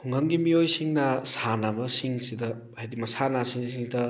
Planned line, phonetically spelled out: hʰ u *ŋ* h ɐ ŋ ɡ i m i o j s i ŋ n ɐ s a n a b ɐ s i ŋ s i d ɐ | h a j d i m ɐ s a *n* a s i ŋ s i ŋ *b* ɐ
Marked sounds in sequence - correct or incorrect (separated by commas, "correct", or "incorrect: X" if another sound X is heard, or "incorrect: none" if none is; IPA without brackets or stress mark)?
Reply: correct, correct, incorrect: d